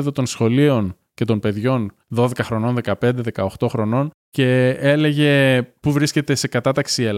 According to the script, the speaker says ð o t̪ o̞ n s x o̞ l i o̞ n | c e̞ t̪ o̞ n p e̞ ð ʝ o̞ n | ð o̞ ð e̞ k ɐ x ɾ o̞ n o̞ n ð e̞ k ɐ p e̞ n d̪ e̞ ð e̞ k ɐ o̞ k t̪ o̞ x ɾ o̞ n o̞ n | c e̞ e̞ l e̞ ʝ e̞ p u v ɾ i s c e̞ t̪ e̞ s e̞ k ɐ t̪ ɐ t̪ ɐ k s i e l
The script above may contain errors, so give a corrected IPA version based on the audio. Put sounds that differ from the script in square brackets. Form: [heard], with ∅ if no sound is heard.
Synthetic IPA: ð o t̪ o̞ n s x o̞ l i o̞ n | c e̞ t̪ o̞ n p e̞ ð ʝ o̞ n | ð o̞ ð e̞ k ɐ x ɾ o̞ n o̞ n ð e̞ k ɐ p e̞ n d̪ e̞ ð e̞ k ɐ o̞ [x] t̪ o̞ x ɾ o̞ n o̞ n | c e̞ e̞ l e̞ ʝ e̞ p u v ɾ i s c e̞ t̪ e̞ s e̞ k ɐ t̪ ɐ t̪ ɐ k s i e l